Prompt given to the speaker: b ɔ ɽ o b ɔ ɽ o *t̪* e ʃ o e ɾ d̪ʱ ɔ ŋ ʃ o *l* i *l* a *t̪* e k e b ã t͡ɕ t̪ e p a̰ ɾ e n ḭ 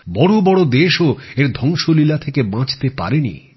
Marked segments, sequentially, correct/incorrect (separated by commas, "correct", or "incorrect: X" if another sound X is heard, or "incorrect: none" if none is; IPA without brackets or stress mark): incorrect: d̪, correct, correct, incorrect: t̪ʰ